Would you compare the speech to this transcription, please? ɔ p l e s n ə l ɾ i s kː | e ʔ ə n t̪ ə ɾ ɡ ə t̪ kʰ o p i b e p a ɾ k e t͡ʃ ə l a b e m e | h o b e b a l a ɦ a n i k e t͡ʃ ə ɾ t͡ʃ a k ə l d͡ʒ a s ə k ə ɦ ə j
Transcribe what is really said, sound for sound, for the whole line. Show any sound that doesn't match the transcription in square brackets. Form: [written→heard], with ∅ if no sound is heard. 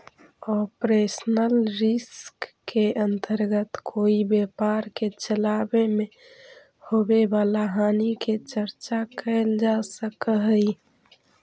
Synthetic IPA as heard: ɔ p [l→ɾ] e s n ə l ɾ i s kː | e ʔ ə n t̪ ə ɾ ɡ ə t̪ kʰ o [p→∅] i b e p a ɾ k e t͡ʃ ə l a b e m e | h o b e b a l a ɦ a n i k e t͡ʃ ə ɾ t͡ʃ a k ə l d͡ʒ a s ə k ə ɦ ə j

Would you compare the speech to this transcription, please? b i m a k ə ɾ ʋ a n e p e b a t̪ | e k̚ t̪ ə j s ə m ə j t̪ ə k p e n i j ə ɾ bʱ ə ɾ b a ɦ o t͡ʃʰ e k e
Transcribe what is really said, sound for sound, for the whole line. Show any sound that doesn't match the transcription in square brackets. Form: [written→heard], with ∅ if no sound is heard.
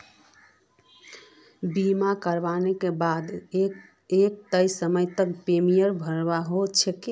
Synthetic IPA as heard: b i m a k ə ɾ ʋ a n e [p→k] e b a [t̪→d̪] | e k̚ t̪ ə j s ə m ə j t̪ ə k p e [n→m] i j ə ɾ bʱ ə ɾ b a ɦ o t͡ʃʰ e k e

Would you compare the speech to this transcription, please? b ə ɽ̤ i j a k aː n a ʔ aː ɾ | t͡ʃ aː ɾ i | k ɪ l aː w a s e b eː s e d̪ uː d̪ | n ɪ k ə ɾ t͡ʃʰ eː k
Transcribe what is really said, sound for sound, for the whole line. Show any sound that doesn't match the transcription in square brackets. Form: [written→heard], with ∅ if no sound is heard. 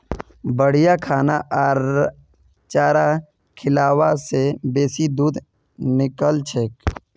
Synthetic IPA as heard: b ə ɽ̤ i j a [k→kʰ] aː n a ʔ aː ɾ | t͡ʃ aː ɾ [i→a] | [k→kʰ] ɪ l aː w a s e b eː s [e→i] d̪ uː d̪ | n ɪ k ə [ɾ→l] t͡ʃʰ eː k

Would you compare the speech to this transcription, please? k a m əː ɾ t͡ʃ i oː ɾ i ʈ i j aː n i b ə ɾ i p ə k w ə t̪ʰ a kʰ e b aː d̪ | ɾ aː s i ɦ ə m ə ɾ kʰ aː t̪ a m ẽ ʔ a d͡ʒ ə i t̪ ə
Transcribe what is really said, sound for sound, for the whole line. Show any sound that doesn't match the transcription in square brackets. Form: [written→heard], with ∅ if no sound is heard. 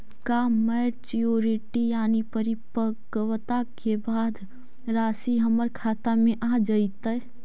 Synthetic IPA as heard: k a m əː ɾ t͡ʃ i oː ɾ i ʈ i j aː n i [b→p] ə ɾ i p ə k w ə [t̪ʰ→t̪] a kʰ e b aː d̪ | ɾ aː s i ɦ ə m ə ɾ kʰ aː t̪ a m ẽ ʔ a d͡ʒ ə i t̪ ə

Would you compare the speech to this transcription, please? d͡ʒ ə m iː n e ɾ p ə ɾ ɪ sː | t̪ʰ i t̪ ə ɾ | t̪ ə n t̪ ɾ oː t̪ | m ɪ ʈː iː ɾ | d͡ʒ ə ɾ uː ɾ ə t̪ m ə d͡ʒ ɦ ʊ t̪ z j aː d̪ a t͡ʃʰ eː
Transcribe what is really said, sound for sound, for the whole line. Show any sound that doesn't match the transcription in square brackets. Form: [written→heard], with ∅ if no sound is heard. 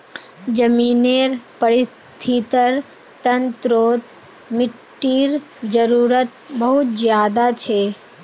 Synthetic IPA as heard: d͡ʒ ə m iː n e ɾ p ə ɾ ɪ [sː→s] | t̪ʰ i t̪ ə ɾ | t̪ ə n t̪ ɾ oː t̪ | m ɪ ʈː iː ɾ | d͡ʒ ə ɾ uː ɾ ə t̪ [m→b] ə [d͡ʒ→∅] ɦ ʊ t̪ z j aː d̪ a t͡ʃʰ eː

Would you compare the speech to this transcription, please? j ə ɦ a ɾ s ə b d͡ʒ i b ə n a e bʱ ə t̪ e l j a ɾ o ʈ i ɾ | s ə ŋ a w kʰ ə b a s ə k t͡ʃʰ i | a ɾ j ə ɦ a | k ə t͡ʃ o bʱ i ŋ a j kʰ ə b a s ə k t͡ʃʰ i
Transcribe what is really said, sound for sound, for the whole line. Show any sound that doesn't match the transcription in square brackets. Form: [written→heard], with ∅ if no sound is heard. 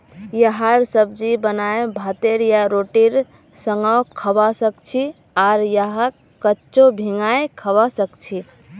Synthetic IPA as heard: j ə ɦ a ɾ s ə b d͡ʒ i b ə n a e bʱ [ə→a] t̪ e [l→ɾ] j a ɾ o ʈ i ɾ | s ə ŋ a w kʰ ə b a s ə k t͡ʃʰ i | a ɾ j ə ɦ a | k ə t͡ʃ o bʱ i ŋ a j kʰ ə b a s ə k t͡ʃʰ i

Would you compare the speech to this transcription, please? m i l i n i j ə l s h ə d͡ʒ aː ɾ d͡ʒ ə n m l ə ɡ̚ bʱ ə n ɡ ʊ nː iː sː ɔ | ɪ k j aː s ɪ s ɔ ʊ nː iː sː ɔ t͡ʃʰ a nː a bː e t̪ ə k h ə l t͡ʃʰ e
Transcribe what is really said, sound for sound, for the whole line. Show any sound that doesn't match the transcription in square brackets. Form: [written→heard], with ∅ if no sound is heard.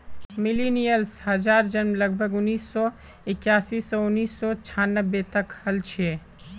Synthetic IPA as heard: m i l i n i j ə l s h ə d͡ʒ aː ɾ d͡ʒ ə n m l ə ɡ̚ bʱ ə [n→∅] ɡ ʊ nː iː sː ɔ | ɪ k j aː s [ɪ→i] s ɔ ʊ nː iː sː ɔ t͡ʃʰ a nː [a→ə] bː e t̪ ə k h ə l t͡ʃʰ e

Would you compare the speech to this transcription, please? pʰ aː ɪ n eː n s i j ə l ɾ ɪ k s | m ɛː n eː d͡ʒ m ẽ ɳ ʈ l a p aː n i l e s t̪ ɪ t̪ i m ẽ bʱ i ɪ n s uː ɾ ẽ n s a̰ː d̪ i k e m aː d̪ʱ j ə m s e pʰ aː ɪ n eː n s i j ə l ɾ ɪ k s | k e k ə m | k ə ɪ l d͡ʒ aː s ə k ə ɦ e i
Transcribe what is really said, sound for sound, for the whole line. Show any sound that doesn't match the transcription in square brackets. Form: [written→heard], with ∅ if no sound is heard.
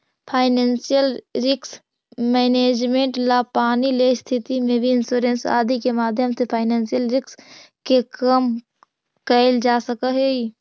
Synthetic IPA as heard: pʰ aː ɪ n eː n s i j ə l ɾ ɪ k s | m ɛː n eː d͡ʒ m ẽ ɳ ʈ l a p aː n i l e s [t̪→t̪ʰ] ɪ t̪ i m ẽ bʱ i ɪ n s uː ɾ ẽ n s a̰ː d̪ i k e m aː d̪ʱ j ə m s e pʰ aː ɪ n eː n s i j ə l ɾ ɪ k s | k e k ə m | k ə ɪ l d͡ʒ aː s ə k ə ɦ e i

